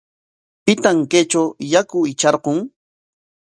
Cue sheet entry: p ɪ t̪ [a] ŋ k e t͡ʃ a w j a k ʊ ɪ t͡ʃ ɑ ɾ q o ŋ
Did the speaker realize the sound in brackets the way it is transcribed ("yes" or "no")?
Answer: yes